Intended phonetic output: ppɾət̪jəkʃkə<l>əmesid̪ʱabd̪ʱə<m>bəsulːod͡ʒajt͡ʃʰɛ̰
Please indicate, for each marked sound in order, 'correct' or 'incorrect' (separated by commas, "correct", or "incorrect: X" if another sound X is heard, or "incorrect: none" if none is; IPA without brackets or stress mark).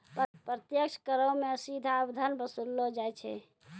incorrect: ɾ, incorrect: n